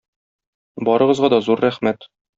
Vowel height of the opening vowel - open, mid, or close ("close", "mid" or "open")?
open